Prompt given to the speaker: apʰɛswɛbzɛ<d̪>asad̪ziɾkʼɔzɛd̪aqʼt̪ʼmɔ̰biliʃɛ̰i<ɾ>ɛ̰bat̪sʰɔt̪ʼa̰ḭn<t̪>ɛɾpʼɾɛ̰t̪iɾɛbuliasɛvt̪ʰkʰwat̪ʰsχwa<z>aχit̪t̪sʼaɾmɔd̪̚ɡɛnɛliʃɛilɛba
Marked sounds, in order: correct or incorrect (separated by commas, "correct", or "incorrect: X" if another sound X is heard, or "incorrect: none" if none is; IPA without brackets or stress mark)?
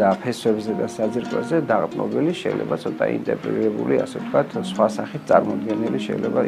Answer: correct, incorrect: l, incorrect: t̪ʼ, incorrect: s